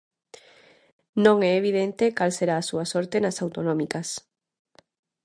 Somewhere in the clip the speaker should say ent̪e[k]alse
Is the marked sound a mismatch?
no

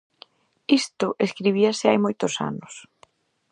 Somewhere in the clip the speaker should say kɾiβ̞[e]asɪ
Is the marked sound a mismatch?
yes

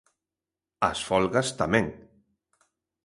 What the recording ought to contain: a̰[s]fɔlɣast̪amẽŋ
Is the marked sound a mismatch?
no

